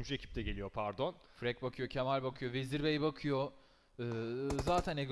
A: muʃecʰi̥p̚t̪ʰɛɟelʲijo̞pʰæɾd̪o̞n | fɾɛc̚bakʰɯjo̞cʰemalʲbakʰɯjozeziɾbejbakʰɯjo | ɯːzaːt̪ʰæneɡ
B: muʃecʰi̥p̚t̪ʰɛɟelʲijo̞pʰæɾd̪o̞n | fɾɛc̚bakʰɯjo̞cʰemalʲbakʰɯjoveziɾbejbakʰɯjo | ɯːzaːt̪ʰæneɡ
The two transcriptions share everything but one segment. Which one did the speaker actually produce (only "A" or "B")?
B